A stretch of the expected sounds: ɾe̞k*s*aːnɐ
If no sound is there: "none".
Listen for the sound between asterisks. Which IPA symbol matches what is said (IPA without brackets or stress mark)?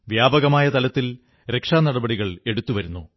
ʂ